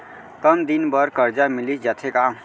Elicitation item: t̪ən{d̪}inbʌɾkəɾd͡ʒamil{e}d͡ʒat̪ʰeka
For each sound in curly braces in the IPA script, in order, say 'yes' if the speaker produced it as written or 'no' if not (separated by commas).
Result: yes, no